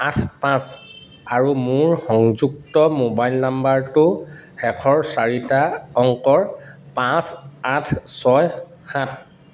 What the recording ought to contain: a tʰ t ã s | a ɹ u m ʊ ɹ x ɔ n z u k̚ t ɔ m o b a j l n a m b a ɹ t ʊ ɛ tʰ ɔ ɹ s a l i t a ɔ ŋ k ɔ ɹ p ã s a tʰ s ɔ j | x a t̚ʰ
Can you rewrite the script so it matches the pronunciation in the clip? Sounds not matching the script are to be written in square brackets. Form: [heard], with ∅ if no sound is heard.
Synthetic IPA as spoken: a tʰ [p] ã s | a ɹ u m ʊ ɹ x ɔ [ŋ] z u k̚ t ɔ m o b a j l n a m b a ɹ t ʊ ɛ [kʰ] ɔ ɹ s a [ɹ] i t a ɔ ŋ k ɔ ɹ p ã s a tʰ s ɔ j | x a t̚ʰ